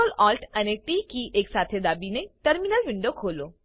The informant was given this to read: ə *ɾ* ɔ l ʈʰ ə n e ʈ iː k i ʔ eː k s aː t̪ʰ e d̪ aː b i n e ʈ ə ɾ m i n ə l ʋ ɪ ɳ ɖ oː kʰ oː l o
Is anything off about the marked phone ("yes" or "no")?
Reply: yes